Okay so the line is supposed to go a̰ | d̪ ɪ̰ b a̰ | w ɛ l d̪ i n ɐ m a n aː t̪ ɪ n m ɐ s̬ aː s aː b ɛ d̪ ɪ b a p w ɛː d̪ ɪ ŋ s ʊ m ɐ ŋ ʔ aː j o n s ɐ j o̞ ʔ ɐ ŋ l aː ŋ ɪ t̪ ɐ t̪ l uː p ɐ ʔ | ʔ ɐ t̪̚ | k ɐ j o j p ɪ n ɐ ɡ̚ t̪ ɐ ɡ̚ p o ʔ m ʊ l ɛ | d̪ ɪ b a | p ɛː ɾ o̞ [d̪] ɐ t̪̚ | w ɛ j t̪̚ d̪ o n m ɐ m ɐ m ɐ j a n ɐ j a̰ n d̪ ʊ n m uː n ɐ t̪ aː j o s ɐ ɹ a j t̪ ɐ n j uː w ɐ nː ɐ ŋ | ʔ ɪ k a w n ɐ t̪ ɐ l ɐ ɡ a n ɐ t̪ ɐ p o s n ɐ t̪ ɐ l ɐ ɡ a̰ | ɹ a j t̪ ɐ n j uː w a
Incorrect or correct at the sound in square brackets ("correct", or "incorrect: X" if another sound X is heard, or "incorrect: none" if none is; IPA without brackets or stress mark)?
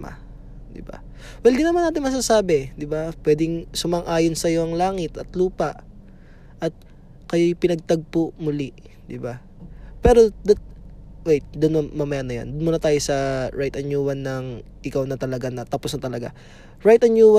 correct